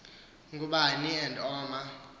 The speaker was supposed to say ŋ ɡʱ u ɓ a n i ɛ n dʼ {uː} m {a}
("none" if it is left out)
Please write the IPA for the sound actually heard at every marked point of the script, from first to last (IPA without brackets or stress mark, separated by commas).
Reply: ɔː, a